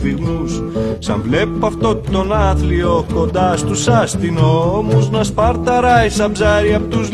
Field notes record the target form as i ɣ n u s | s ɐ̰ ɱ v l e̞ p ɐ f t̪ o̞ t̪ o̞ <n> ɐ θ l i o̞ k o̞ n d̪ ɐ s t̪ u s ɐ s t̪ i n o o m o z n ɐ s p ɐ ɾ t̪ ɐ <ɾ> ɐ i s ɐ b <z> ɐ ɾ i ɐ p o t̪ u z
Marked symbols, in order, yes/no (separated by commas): yes, yes, yes